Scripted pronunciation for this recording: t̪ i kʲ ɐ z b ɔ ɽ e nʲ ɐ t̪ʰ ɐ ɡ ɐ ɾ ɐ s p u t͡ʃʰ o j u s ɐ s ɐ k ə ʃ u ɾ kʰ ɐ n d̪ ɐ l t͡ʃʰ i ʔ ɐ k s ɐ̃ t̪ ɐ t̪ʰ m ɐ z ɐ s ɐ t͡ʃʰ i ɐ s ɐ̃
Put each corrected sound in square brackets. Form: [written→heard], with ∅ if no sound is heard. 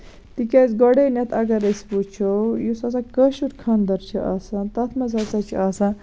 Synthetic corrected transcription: t̪ i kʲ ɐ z [b→ɡ] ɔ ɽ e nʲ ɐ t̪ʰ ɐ ɡ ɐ ɾ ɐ s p u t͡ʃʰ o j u s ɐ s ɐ k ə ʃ u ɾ kʰ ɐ n d̪ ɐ [l→ɾ] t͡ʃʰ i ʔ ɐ [k→∅] s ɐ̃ t̪ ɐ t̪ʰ m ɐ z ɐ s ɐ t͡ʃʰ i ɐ s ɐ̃